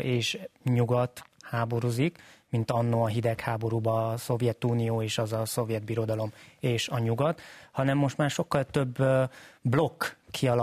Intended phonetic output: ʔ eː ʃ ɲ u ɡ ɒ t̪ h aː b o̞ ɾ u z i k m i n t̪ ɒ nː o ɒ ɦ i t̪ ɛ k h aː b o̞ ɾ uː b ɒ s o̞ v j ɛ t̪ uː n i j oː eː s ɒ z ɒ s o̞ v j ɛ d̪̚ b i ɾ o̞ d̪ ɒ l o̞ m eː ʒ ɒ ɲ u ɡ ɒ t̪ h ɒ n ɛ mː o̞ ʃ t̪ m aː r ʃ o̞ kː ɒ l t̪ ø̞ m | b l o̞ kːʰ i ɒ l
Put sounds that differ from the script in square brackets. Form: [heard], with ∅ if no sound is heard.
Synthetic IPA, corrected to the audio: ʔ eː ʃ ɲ u ɡ ɒ t̪ h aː b o̞ ɾ u z i k m i n t̪ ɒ nː o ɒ ɦ i [d̪] ɛ k h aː b o̞ ɾ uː b ɒ s o̞ v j ɛ t̪ uː n i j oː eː [ʃ] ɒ z ɒ s o̞ v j ɛ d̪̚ b i ɾ o̞ d̪ ɒ l o̞ m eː [ʃ] ɒ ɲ u ɡ ɒ t̪ h ɒ n ɛ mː o̞ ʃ t̪ m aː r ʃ o̞ kː ɒ l t̪ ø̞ [b] | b l o̞ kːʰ i ɒ l